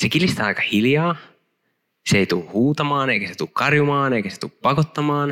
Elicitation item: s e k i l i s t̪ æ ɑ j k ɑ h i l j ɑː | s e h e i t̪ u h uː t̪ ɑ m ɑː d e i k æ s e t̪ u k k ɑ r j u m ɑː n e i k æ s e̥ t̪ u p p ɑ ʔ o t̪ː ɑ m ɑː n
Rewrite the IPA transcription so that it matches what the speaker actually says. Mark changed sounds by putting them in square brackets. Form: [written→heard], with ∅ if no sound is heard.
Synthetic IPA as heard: s e k i l i s t̪ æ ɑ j k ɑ h i l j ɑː | s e [h→∅] e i t̪ u h uː t̪ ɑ m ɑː [d→n] e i k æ s e t̪ u k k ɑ r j u m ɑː n e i k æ s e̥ t̪ u p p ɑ [ʔ→k] o t̪ː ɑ m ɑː n